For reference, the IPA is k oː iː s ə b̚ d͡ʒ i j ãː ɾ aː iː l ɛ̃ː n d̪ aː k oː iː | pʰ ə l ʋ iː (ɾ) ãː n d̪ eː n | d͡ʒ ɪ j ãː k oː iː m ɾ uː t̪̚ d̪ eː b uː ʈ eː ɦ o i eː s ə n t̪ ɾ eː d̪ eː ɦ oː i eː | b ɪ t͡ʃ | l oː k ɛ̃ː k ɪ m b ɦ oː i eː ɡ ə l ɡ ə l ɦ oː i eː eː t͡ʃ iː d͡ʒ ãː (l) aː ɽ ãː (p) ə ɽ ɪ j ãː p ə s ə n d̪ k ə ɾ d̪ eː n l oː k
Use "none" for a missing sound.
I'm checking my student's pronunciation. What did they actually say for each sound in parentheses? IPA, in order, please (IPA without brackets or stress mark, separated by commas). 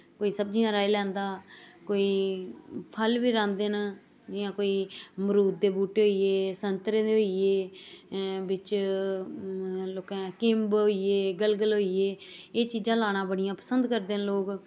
ɾ, l, b